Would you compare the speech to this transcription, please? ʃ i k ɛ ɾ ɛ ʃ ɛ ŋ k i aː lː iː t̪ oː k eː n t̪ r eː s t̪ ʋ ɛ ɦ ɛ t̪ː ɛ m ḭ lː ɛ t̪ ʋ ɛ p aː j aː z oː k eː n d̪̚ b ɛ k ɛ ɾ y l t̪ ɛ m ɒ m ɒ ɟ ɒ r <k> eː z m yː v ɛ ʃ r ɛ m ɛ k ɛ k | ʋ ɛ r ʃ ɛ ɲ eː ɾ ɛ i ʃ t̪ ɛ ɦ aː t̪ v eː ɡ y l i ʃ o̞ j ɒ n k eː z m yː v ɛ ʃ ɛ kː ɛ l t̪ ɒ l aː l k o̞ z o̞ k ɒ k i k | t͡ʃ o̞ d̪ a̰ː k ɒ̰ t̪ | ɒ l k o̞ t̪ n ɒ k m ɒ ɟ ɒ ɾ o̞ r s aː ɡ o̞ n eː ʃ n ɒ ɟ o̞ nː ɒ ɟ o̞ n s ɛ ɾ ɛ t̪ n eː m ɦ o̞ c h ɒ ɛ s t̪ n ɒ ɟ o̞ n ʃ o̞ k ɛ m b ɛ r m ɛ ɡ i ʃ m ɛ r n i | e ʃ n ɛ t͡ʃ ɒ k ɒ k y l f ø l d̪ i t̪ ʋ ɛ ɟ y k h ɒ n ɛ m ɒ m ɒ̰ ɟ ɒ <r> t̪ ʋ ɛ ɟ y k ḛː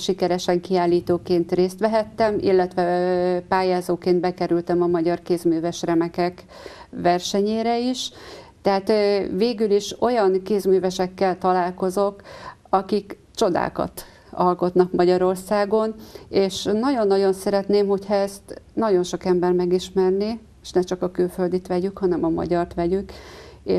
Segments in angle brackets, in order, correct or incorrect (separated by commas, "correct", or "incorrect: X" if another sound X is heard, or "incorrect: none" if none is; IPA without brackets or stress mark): correct, correct